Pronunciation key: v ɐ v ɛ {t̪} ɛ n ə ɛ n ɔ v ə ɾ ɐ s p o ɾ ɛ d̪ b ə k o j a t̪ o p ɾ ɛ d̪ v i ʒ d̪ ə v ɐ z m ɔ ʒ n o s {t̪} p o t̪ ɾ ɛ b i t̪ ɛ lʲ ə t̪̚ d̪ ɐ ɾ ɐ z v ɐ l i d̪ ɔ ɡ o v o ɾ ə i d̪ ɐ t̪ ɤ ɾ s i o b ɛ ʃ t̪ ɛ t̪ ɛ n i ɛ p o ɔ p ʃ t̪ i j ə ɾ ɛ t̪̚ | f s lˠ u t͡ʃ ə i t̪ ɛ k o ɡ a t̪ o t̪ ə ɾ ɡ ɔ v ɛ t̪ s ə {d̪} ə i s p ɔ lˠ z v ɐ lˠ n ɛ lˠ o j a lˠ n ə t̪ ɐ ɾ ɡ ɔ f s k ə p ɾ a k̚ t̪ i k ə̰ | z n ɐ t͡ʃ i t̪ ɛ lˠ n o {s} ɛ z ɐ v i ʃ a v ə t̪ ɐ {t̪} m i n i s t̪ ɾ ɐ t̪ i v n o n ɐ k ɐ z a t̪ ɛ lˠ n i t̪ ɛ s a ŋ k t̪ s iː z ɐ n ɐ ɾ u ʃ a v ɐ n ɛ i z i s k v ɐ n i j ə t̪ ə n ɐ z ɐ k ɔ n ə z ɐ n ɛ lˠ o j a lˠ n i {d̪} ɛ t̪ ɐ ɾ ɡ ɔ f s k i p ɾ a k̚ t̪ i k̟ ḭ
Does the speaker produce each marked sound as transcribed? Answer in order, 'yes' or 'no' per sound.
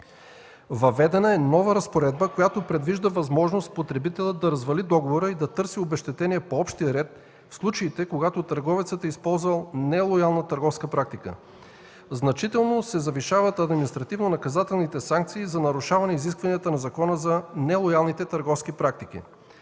no, yes, no, yes, no, no

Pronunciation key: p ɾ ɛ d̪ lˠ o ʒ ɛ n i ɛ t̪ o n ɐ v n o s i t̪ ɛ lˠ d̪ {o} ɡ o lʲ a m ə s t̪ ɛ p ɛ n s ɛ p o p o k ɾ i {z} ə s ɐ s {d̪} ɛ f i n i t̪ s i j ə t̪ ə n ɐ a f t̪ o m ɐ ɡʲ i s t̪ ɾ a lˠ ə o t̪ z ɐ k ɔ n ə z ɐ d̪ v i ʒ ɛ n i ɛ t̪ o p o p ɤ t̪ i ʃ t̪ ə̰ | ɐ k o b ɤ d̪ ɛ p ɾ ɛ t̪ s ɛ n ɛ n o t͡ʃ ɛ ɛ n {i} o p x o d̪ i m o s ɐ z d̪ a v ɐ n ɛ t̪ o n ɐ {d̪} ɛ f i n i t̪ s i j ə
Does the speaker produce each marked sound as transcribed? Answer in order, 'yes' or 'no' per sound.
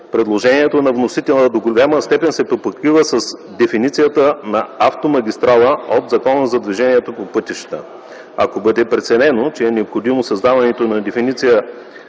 yes, no, yes, no, yes

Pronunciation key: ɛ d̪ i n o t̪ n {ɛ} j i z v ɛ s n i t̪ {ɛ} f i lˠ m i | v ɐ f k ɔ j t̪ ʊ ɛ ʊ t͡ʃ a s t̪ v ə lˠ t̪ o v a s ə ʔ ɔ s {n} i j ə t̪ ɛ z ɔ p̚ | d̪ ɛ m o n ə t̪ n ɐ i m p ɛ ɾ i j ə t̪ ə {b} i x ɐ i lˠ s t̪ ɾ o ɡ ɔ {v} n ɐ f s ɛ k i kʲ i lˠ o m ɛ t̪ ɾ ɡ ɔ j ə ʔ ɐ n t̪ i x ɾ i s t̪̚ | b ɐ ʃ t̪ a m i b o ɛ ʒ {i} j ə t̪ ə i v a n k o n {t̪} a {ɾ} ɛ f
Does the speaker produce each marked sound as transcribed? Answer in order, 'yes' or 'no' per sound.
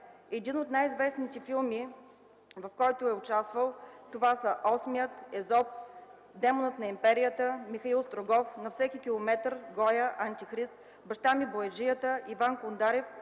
no, yes, no, no, no, yes, no, yes

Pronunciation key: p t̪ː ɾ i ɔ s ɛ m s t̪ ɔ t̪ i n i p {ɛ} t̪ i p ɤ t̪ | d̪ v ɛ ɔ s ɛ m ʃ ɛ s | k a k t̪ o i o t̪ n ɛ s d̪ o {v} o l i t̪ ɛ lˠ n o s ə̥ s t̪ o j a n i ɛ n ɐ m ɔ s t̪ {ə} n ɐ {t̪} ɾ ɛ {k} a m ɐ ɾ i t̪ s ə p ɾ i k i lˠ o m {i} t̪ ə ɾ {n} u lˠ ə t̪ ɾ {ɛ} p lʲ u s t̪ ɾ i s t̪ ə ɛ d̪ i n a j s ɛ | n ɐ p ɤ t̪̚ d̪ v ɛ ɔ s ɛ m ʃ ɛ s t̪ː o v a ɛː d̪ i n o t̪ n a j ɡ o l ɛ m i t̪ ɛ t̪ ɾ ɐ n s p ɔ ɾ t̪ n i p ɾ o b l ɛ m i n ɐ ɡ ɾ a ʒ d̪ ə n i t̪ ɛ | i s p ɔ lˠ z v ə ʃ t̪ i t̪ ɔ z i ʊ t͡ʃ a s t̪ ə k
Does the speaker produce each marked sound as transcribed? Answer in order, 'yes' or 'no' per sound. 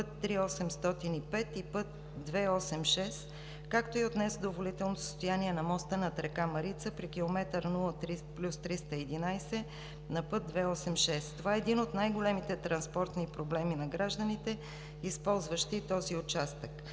yes, yes, yes, yes, yes, no, yes, no

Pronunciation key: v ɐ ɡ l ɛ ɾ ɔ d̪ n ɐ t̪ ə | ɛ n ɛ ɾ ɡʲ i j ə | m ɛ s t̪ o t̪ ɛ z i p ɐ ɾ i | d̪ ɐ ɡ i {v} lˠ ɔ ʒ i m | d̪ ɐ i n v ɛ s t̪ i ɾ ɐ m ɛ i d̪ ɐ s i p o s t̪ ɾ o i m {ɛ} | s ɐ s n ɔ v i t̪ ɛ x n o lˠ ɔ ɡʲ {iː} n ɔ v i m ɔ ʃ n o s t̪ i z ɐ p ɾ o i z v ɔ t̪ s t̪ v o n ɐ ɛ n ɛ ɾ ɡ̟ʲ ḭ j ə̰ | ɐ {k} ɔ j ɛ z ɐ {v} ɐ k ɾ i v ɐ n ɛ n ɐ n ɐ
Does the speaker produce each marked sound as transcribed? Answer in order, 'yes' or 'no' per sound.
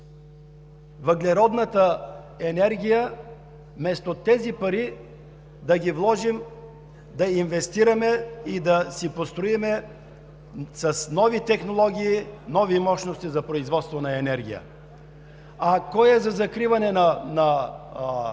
yes, yes, yes, yes, no

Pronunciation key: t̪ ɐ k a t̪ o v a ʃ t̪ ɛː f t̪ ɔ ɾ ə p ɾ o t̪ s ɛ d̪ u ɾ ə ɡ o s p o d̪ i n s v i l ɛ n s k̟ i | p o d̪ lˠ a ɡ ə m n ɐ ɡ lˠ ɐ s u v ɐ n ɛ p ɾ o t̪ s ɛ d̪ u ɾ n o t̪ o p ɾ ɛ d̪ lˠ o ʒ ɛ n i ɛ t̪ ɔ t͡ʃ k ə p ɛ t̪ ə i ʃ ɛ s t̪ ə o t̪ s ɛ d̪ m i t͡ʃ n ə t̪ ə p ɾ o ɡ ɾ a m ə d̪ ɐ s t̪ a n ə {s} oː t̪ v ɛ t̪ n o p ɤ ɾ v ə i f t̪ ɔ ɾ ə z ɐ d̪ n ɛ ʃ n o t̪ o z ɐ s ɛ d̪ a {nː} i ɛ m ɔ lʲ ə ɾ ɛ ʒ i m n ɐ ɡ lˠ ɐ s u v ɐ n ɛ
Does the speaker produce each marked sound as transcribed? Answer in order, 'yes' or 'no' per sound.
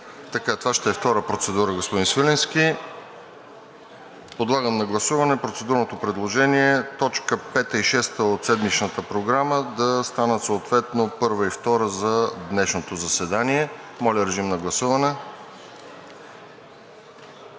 yes, no

